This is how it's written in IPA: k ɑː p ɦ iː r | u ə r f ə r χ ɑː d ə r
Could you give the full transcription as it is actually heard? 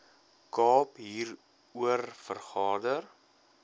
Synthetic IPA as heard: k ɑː p ɦ iː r | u ə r f ə r χ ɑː d ə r